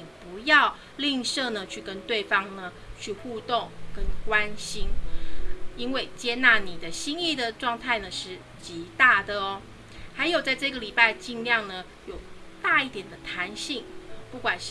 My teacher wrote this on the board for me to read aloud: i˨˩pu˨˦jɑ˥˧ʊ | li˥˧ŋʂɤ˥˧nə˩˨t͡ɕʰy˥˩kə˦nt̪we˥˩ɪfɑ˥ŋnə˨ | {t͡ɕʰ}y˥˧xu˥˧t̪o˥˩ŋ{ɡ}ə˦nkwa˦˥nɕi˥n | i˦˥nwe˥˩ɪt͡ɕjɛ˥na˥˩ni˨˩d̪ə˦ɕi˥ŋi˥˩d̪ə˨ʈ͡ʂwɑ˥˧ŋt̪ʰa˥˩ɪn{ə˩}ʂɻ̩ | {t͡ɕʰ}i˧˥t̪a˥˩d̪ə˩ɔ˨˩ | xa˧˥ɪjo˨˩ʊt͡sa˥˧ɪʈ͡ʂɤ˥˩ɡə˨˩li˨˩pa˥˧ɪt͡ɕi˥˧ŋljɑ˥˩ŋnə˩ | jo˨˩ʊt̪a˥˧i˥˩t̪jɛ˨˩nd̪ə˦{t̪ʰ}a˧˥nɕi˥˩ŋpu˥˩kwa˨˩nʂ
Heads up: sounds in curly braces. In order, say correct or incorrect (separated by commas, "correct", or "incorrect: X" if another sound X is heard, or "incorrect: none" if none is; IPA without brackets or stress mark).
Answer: correct, incorrect: k, correct, incorrect: t͡ɕ, correct